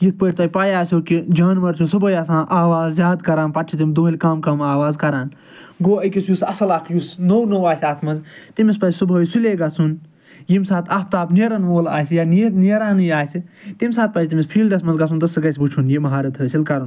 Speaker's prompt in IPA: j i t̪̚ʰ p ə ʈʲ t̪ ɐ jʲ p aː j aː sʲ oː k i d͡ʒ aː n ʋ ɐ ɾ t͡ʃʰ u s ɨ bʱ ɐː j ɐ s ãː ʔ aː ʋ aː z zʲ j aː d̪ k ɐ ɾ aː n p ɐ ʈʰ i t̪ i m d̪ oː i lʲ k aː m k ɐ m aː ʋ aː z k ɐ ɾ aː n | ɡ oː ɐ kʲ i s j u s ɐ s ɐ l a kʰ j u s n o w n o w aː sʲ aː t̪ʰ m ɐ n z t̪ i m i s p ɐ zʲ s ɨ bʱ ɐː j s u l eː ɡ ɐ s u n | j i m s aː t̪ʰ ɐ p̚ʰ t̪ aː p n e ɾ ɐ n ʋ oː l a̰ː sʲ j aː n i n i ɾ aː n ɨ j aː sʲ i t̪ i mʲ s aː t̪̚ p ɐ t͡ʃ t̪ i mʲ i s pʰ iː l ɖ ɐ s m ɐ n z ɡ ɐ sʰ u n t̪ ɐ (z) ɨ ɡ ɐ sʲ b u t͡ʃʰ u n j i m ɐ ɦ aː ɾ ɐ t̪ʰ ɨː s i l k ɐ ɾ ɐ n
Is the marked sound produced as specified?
no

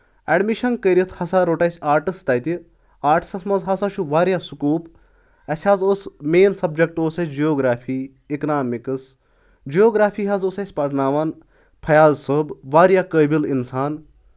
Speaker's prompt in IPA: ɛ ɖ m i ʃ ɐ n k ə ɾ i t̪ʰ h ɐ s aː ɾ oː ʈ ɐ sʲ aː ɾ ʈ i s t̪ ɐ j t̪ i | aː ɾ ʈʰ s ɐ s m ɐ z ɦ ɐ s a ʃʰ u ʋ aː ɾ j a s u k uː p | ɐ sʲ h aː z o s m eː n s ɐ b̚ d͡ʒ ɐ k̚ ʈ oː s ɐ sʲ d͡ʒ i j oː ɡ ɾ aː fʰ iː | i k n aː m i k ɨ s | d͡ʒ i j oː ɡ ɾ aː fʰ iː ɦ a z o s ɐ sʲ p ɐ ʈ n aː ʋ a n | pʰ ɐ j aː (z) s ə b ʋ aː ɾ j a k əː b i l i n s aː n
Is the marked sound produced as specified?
yes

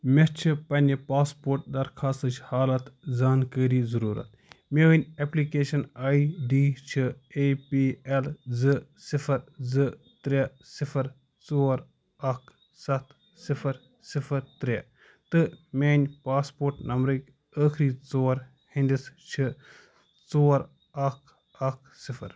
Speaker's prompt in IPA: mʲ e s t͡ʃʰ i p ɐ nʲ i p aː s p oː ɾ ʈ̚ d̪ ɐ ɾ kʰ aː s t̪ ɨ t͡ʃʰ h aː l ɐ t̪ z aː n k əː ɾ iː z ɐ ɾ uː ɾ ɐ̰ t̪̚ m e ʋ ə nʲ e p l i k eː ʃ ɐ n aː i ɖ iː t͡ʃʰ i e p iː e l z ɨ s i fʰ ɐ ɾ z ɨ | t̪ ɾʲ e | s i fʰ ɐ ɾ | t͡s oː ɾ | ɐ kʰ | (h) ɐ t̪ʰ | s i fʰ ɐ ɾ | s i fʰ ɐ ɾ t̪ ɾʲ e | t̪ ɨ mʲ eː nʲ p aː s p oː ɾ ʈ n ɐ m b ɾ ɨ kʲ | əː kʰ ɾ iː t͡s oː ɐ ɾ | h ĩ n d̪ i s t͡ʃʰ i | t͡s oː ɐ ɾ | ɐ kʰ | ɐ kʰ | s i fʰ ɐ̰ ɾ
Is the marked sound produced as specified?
no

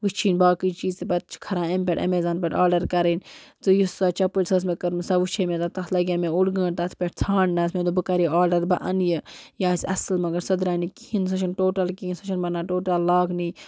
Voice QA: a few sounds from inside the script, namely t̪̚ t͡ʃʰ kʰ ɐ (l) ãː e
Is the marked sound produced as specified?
no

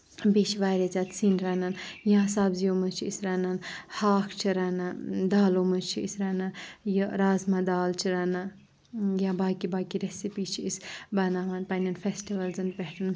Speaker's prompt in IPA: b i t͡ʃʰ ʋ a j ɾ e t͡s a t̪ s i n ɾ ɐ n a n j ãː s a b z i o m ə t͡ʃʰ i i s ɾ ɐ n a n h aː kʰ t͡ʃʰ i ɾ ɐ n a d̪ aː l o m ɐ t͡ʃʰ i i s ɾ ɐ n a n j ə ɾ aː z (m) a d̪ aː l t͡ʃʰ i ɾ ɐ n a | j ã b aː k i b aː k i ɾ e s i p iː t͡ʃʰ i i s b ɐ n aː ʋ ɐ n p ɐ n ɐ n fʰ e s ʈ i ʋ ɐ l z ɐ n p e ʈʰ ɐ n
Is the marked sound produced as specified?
yes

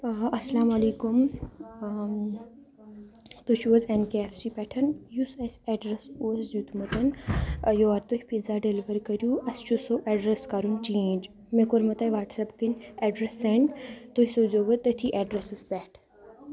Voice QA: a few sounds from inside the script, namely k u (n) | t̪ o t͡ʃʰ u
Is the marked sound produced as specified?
no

